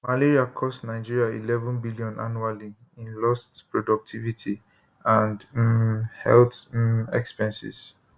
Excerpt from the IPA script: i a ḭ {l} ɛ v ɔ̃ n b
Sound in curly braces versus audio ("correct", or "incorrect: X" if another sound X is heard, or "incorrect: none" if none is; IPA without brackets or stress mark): correct